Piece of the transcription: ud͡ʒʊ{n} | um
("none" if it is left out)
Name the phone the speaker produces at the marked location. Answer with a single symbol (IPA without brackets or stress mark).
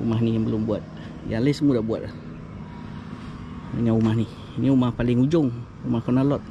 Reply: ŋ